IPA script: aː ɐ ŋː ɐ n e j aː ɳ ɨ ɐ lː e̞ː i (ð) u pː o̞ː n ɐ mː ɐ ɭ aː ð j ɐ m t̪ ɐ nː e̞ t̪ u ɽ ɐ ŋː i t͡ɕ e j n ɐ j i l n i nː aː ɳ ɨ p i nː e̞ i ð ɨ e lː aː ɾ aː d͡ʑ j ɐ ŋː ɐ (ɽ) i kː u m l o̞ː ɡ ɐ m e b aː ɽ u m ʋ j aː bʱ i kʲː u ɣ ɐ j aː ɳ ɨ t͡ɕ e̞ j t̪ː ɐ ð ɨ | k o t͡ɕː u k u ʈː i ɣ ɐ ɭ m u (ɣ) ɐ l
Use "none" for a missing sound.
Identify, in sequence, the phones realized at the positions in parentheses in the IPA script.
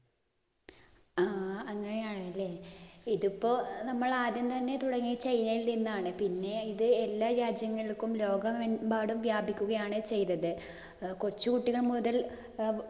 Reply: ð, ɭ, ð

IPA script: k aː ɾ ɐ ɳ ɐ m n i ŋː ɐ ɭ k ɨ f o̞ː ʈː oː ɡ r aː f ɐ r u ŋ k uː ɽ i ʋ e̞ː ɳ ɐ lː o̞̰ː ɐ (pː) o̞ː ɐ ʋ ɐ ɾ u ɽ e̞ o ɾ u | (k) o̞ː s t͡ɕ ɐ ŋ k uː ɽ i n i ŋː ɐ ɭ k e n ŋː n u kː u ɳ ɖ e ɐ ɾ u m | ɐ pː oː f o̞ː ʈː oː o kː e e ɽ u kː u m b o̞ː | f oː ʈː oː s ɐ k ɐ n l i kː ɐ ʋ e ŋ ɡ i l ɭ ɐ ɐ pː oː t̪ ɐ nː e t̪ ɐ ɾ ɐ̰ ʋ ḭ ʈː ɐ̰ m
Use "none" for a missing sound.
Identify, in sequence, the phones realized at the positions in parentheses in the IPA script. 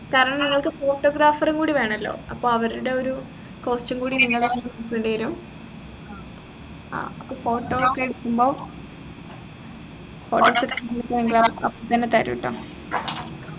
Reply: pː, k

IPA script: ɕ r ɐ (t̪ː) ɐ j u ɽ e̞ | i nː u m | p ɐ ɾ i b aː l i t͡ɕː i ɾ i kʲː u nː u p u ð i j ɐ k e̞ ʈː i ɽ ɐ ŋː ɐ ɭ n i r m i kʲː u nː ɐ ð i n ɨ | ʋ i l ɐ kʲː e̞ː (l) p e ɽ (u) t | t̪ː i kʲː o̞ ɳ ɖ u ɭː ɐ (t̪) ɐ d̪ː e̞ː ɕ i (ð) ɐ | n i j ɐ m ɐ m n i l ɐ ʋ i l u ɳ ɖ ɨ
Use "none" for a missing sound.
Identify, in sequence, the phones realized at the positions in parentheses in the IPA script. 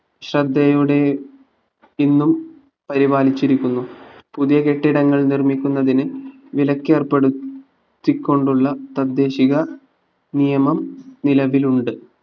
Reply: d̪ː, r, u, t̪, ɣ

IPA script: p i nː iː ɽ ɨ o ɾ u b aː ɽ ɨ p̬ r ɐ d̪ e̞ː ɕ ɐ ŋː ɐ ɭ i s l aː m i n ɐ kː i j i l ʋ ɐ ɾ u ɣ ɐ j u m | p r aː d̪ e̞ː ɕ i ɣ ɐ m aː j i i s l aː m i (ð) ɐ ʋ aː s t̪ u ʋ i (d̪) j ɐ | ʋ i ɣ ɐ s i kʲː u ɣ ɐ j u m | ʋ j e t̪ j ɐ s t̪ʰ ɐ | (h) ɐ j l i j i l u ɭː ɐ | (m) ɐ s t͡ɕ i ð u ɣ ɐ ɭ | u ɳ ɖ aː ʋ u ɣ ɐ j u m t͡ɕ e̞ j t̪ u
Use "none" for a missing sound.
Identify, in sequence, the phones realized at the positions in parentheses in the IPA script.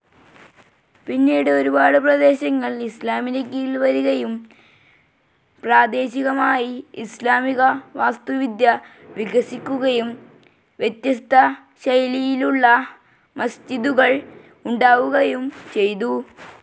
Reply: ɣ, d̪, ɕ, m

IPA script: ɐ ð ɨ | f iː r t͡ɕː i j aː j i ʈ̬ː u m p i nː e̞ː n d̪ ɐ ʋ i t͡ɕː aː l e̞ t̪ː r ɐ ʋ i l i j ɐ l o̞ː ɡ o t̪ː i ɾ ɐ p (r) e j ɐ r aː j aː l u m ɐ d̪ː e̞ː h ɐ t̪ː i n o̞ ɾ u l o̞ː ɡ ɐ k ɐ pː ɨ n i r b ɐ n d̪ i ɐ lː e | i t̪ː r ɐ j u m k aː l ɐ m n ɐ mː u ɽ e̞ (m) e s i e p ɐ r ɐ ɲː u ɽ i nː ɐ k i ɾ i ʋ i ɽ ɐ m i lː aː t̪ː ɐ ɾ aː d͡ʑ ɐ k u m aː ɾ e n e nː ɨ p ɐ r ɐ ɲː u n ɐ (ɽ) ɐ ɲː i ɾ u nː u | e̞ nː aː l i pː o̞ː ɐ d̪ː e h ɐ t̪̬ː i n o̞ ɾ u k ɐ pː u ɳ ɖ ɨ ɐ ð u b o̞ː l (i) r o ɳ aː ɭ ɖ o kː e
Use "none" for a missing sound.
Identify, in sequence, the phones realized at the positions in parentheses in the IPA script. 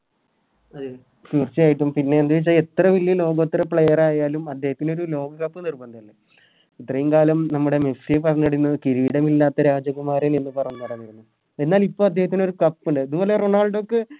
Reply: ɭ, m, ɽ, e

